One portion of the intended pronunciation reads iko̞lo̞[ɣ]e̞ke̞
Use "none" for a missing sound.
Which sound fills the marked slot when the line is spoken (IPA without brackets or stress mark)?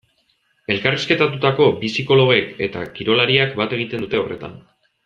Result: ɣ